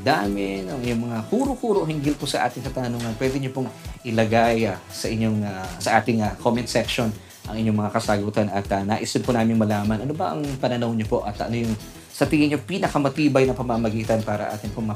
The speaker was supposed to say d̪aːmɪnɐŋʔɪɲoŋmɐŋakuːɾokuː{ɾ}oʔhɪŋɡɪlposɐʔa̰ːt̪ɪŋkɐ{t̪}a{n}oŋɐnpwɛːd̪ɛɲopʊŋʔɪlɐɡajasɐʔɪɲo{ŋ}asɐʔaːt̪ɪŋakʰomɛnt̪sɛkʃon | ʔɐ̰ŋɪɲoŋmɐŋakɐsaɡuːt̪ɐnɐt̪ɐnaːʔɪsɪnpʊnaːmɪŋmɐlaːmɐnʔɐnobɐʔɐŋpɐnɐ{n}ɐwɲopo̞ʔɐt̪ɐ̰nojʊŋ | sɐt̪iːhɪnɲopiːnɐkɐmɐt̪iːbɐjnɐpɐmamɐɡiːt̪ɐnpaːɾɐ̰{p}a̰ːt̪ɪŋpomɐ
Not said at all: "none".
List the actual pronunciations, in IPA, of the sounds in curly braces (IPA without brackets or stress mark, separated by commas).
ɾ, t̪, n, ŋ, n, ʔ